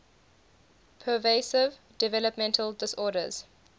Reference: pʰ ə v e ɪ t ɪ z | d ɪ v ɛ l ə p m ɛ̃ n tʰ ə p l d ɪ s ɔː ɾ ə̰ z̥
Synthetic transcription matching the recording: pʰ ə v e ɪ s ɪ v | d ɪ v ɛ l ə p m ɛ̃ n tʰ ə l d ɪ s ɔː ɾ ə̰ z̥